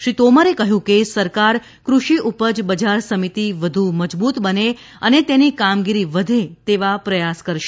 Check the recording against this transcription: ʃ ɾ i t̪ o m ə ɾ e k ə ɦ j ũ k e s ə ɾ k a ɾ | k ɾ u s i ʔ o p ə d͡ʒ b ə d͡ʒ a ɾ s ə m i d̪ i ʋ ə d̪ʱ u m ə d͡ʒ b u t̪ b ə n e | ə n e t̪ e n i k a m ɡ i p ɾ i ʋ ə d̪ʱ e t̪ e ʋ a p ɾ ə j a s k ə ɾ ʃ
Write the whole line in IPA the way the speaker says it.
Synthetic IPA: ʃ ɾ i t̪ o m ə ɾ e k ə ɦ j ũ k e s ə ɾ k a ɾ | k ɾ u ʃ i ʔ u p ə d͡ʒ b ə d͡ʒ a ɾ s ə m i t̪ i ʋ ə d̪ʱ u m ə d͡ʒ b u t̪ b ə n e | ə n e t̪ e n i k a m ɡ i ɾ i ʋ ə d̪ʱ e t̪ e ʋ a p ɾ ə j a s k ə ɾ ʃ